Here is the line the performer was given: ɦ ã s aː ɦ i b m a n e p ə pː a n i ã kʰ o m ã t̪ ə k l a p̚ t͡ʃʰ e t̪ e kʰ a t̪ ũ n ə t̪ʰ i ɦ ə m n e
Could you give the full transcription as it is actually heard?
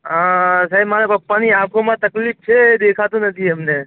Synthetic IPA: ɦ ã s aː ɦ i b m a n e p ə pː a n i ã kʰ o m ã t̪ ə k l i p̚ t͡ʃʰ e d̪ e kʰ a t̪ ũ n ə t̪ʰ i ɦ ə m n e